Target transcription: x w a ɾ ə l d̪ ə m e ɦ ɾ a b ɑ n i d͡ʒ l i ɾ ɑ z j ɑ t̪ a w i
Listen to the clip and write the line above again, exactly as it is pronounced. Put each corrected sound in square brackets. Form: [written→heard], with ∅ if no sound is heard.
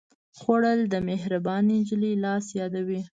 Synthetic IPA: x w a [ɾ→ɽ] ə l d̪ ə m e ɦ ɾ a b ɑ n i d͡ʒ l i [ɾ→l] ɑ [z→s] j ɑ [t̪→d̪] a w i